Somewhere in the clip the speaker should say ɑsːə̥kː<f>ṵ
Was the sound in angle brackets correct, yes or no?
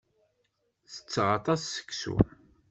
no